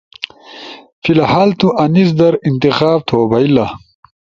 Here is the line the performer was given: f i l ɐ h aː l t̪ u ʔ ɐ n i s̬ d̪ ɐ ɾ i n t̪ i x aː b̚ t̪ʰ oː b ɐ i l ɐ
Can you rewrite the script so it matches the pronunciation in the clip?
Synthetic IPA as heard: f i l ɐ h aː l t̪ u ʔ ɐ n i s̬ d̪ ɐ ɾ i n t̪ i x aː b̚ t̪ʰ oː b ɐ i l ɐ